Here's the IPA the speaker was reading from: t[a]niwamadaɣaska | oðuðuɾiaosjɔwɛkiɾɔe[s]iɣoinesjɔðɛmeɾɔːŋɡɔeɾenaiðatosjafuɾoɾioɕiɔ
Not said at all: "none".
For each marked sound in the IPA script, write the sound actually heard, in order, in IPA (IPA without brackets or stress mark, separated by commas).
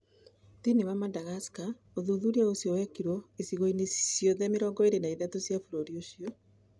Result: i, s